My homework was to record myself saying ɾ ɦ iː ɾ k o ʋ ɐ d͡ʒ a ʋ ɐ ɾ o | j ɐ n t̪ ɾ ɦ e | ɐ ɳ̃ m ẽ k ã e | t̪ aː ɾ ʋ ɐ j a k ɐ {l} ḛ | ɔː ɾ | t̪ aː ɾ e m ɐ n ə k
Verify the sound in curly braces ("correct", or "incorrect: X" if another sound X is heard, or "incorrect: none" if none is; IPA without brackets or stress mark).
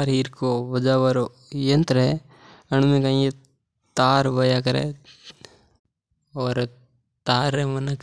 incorrect: ɾ